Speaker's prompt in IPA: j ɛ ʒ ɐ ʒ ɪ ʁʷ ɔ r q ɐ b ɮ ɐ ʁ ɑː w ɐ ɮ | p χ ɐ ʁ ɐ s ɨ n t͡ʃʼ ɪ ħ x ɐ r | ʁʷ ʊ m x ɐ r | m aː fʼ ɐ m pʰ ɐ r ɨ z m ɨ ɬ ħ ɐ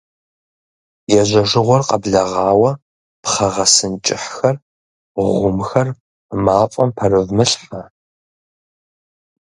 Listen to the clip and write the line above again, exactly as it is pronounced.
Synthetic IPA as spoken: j ɛ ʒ ɐ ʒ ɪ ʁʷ ɔ r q ɐ b ɮ ɐ ʁ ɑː w ɐ | p χ ɐ ʁ ɐ s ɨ n t͡ʃʼ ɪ ħ x ɐ r | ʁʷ ʊ m x ɐ r | m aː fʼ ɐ m pʰ ɐ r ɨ v m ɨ ɬ ħ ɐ